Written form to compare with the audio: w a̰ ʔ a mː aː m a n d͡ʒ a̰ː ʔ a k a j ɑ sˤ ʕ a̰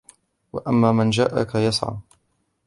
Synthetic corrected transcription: w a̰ ʔ a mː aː m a n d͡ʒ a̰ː ʔ a k a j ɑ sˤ ʕ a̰